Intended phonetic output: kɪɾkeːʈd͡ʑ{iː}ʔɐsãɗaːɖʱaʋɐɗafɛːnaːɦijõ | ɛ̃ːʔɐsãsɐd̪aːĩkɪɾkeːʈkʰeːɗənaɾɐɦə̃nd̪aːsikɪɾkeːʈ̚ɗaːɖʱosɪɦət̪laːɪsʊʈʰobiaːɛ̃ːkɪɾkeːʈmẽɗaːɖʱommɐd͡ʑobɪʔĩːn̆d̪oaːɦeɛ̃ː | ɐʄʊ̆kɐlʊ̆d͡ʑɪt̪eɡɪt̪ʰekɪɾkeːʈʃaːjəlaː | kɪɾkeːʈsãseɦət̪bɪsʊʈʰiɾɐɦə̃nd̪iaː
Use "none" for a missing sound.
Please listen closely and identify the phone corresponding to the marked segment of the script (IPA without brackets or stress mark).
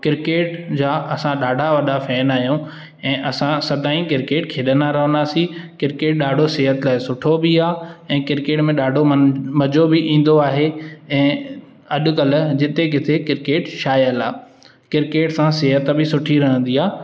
aː